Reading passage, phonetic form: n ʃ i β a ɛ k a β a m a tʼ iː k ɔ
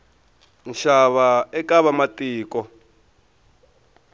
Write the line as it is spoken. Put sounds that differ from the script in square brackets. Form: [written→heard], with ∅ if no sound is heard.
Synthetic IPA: n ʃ [i→a] β a ɛ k a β a m a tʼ iː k ɔ